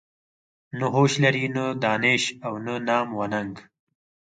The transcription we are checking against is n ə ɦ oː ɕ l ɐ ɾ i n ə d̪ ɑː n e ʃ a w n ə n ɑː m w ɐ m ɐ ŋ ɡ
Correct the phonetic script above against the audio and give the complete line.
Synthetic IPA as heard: n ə ɦ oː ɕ l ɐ ɾ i n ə d̪ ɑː n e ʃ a w n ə n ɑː m w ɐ n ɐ ŋ ɡ